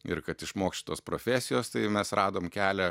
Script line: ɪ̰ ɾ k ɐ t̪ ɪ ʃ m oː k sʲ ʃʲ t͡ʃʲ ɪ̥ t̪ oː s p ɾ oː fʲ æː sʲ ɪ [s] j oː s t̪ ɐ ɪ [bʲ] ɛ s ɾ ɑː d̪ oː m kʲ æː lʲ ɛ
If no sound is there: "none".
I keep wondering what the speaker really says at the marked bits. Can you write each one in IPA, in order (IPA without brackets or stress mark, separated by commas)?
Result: none, mʲ